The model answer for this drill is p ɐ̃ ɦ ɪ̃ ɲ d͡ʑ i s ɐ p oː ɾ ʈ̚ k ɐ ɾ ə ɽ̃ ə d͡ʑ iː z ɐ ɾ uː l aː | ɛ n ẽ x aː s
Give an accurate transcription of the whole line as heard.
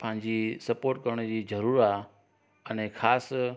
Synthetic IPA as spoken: p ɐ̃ ɦ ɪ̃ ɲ d͡ʑ i s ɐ p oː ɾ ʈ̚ k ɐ ɾ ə ɽ̃ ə d͡ʑ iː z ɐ ɾ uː ɾ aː | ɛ n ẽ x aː s